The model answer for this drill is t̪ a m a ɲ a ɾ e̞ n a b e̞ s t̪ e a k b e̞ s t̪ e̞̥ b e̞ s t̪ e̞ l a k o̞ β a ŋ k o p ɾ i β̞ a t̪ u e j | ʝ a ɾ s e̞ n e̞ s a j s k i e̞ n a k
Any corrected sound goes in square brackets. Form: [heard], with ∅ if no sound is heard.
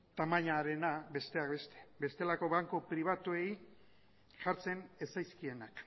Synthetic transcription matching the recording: t̪ a m a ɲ a ɾ e̞ n a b e̞ s t̪ e a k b e̞ s t̪ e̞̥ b e̞ s t̪ e̞ l a k o̞ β a ŋ k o p ɾ i β̞ a t̪ u e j | ʝ a ɾ [t͡s] e̞ n e̞ s a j s k i e̞ n a k